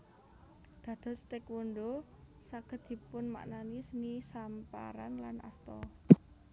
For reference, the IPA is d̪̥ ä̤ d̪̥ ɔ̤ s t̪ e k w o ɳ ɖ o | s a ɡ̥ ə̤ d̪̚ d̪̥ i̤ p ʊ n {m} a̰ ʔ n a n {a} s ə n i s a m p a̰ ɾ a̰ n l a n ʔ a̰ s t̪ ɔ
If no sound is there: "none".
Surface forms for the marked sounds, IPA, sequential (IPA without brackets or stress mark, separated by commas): m, i